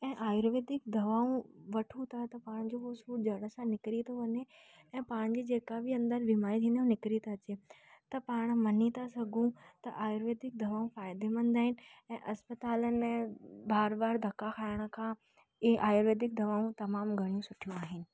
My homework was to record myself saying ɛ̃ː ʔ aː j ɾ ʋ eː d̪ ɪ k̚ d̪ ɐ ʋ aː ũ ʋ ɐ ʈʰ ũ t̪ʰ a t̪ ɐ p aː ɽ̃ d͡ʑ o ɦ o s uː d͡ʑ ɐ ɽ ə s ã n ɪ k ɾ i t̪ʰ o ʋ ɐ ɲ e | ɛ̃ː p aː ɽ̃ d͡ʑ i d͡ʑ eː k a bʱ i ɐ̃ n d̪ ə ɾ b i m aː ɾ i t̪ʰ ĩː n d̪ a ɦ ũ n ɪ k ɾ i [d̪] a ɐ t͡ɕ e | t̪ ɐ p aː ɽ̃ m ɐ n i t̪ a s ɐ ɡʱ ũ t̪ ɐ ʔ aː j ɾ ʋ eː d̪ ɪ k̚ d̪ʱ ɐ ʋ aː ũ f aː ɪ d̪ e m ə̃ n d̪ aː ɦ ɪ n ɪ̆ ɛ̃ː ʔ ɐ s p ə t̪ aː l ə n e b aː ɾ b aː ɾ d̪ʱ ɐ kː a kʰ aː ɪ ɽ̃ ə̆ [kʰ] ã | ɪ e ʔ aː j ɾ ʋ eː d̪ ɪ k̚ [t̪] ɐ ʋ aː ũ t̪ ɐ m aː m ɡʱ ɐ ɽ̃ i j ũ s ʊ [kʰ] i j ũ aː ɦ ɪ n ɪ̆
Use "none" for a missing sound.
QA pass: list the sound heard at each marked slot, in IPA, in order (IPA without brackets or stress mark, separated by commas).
t̪, kʰ, d̪, ʈʰ